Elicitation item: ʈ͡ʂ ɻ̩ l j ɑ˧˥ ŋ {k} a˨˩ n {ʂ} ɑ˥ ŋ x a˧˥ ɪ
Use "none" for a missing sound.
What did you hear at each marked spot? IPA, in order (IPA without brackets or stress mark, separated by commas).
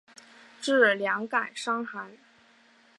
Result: k, ʂ